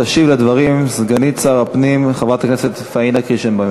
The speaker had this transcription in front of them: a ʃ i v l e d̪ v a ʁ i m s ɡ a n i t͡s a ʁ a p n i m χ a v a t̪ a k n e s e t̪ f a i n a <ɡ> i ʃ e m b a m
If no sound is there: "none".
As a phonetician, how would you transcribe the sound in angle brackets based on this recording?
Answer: k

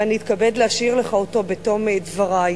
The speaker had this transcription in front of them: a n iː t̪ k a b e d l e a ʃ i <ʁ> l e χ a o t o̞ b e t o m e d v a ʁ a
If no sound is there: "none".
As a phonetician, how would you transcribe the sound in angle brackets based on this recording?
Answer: ʁ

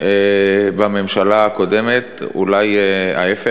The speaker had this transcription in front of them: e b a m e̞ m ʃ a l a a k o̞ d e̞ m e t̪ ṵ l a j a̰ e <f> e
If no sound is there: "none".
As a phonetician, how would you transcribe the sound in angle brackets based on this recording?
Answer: f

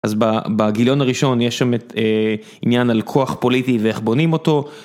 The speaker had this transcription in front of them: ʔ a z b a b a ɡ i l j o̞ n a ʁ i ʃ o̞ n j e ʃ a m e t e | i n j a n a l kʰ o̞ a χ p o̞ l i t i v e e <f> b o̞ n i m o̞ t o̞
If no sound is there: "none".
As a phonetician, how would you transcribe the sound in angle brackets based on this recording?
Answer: χ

